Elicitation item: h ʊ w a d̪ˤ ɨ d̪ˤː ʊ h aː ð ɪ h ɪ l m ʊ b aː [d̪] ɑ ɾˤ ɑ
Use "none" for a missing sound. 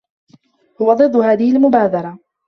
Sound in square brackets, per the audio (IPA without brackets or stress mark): d̪